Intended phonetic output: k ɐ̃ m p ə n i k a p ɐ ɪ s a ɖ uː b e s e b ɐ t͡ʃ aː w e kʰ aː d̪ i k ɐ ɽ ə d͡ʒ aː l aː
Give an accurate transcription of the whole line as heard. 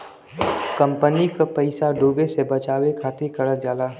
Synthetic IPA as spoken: k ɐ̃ m p ə n i k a p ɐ ɪ s a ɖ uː b e s e b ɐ t͡ʃ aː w e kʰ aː t̪ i k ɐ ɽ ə d͡ʒ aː l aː